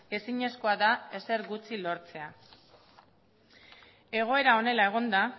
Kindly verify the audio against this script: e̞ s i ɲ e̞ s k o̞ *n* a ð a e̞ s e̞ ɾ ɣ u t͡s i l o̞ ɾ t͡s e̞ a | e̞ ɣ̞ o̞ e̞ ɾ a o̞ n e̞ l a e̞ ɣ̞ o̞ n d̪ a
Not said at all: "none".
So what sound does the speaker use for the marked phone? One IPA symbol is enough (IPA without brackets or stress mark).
none